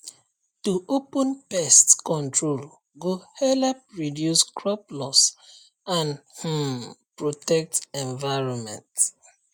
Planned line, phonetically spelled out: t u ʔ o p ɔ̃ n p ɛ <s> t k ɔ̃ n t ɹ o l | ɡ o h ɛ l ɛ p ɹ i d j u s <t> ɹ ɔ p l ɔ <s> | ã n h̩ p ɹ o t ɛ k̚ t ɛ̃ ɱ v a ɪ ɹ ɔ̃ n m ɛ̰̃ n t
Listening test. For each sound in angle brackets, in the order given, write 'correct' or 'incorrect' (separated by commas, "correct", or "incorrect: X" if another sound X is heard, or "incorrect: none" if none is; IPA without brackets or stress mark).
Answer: correct, incorrect: k, correct